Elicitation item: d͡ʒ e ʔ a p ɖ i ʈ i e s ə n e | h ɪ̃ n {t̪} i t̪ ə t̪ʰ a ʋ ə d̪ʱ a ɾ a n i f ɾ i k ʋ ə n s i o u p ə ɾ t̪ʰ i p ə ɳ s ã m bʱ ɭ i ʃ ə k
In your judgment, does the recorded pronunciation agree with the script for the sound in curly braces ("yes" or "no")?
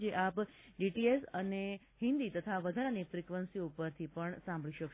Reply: no